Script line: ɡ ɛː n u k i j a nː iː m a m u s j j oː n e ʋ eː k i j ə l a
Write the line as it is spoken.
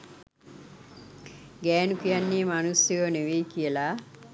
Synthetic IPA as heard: ɡ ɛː n u k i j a nː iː m a n u s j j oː n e ʋ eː k i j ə l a